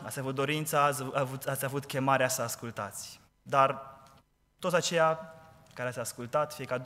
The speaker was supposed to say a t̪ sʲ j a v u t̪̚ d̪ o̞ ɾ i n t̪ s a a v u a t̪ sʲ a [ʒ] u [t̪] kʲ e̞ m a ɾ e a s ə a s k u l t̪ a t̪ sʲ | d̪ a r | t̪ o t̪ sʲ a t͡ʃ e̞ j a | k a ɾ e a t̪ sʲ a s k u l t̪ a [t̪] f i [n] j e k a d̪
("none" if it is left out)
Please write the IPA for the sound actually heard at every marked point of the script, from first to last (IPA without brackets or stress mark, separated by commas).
v, t̪, t̪, none